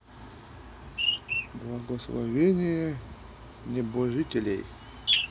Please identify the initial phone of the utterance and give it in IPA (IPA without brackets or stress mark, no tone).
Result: b